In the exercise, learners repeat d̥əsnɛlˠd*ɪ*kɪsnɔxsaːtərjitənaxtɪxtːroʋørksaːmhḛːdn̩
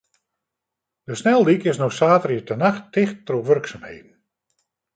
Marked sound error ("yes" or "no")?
yes